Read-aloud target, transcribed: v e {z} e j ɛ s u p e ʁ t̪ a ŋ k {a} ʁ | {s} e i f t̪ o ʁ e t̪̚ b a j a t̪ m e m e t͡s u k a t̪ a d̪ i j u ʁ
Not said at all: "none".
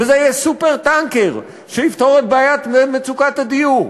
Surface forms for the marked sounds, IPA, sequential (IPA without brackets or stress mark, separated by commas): z, e, ʃ